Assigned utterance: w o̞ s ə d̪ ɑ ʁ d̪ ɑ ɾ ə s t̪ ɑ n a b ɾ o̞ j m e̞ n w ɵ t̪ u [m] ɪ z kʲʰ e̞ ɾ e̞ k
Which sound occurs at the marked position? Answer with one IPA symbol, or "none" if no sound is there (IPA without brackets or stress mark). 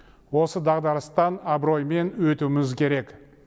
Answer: m